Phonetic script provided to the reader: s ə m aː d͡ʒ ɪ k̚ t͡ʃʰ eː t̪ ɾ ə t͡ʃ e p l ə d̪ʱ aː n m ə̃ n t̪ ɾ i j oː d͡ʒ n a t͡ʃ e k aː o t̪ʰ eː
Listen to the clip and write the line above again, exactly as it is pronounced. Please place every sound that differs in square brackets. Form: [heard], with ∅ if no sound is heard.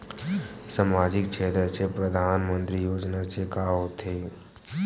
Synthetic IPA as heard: s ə m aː d͡ʒ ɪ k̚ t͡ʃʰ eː t̪ ɾ ə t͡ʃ e p [ɾ] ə d̪ʱ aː n m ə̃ n t̪ ɾ i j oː d͡ʒ n a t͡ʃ e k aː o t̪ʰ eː